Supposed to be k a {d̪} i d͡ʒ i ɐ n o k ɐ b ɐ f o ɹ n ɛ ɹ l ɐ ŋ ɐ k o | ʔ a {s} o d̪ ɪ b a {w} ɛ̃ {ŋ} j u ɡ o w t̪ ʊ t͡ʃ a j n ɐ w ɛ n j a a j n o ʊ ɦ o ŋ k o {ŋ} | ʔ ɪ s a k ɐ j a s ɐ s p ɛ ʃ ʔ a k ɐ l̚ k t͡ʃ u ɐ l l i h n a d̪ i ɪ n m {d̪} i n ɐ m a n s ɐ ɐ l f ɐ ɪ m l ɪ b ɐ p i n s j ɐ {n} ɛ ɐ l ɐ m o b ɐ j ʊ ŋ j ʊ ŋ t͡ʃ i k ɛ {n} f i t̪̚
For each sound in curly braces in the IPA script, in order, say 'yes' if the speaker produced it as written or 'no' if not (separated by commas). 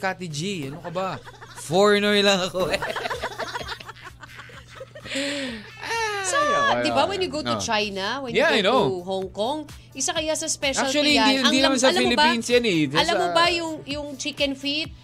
no, yes, yes, no, yes, yes, yes, yes